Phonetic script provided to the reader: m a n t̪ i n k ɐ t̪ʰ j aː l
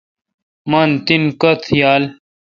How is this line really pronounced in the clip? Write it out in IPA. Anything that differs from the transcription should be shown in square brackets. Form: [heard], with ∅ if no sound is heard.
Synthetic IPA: m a n t̪ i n k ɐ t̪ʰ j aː l